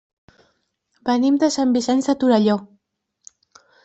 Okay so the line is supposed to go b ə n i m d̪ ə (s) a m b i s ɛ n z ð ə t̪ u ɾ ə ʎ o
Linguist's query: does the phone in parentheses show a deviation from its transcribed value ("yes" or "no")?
no